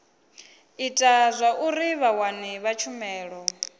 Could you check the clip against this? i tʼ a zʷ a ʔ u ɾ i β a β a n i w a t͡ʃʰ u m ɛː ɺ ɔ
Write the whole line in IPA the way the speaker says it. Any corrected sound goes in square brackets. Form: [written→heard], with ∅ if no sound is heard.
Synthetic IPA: i tʼ a zʷ a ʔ u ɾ i β a [β→w] a n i [w→β] a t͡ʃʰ u m ɛː ɺ ɔ